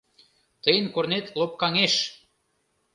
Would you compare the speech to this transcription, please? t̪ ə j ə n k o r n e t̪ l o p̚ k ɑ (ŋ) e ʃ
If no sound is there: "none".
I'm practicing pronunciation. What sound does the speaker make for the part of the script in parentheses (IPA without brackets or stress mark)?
ŋ